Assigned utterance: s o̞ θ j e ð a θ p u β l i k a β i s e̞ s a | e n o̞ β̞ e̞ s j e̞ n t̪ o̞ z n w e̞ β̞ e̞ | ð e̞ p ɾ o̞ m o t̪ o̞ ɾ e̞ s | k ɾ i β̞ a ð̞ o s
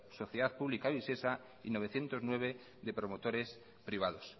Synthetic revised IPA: s o̞ θ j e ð a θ p u β l i k a β i s e̞ s a | i n o̞ β̞ e̞ θ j e̞ n t̪ o̞ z n w e̞ β̞ e̞ | ð e̞ p ɾ o̞ m o t̪ o̞ ɾ e̞ s | p ɾ i β̞ a ð̞ o s